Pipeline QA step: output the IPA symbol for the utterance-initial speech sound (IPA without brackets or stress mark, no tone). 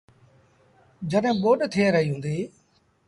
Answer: d͡ʒ